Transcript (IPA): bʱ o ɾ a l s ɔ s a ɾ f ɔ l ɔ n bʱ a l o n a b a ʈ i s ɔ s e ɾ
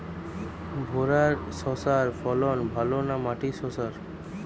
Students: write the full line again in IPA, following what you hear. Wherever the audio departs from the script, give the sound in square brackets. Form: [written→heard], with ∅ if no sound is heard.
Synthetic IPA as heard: bʱ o ɾ a [l→ɾ] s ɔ s a ɾ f ɔ l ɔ n bʱ a l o n a [b→m] a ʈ i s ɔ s [e→a] ɾ